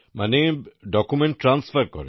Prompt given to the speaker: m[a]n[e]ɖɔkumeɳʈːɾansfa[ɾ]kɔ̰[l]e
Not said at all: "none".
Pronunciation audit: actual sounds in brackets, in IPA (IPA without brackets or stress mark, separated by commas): a, e, ɾ, ɾ